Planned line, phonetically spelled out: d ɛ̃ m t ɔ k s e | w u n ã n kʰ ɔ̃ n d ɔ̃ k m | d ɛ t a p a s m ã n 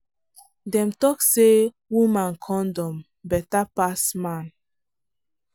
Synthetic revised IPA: d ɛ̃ m t ɔ k s e | w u m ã n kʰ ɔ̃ n d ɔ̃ m | b ɛ t a p a s m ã n